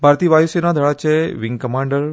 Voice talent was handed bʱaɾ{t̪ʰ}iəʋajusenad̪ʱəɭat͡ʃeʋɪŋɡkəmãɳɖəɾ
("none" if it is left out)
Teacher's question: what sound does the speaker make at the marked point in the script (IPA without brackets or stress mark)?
t̪